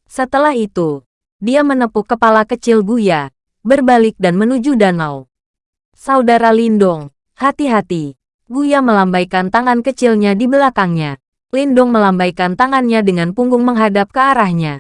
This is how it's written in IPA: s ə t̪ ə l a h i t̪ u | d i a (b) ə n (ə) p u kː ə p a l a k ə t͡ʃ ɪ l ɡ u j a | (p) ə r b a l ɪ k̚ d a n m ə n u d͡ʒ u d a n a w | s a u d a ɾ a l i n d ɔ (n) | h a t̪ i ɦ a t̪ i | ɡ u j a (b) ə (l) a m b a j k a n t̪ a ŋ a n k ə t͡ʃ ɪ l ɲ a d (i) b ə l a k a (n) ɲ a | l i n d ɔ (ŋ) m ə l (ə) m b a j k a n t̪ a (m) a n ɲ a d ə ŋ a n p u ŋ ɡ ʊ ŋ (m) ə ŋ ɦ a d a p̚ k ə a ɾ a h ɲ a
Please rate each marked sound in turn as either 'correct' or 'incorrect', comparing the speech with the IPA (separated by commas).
incorrect, correct, incorrect, incorrect, incorrect, correct, correct, incorrect, correct, incorrect, incorrect, correct